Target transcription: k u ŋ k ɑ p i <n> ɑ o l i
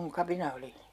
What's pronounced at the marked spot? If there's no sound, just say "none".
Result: n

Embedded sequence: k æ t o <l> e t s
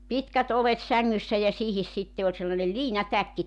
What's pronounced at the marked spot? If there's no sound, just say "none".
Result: l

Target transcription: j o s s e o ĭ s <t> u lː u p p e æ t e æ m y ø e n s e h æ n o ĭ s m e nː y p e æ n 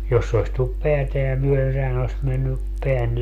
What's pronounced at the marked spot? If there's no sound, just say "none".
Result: t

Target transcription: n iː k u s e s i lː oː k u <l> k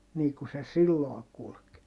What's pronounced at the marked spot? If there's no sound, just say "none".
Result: l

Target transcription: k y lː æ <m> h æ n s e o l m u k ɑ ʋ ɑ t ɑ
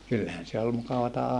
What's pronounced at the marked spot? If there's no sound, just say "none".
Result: none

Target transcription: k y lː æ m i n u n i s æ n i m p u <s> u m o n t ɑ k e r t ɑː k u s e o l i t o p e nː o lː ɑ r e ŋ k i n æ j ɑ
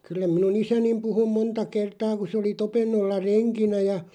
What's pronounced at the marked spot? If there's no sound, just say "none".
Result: h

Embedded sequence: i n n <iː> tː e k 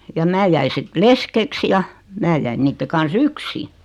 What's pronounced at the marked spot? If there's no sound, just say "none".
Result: iː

